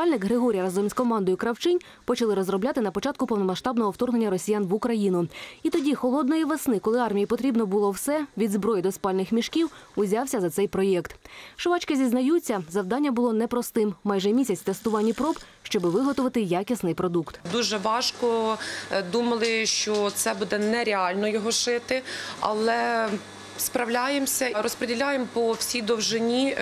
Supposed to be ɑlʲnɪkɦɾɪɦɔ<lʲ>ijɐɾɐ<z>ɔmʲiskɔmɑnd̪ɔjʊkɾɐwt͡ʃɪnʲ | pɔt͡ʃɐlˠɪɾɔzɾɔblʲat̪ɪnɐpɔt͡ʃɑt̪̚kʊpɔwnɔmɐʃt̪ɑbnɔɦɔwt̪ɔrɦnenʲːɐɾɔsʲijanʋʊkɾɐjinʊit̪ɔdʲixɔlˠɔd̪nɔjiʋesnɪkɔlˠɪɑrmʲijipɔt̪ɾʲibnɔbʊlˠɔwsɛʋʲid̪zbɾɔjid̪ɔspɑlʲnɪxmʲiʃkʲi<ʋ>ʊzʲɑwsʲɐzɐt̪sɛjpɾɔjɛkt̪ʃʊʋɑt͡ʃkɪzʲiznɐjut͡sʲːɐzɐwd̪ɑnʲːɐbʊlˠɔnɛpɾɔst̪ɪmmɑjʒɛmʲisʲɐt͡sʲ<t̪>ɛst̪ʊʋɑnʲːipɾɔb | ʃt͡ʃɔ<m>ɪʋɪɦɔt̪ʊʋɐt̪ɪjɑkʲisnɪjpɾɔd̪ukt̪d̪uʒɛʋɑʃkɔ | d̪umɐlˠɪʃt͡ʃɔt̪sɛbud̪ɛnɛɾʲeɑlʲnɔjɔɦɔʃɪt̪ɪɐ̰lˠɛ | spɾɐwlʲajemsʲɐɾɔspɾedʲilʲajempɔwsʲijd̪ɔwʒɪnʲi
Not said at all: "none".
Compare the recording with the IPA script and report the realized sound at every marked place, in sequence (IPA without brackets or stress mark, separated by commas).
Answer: ɾʲ, z, w, t̪, b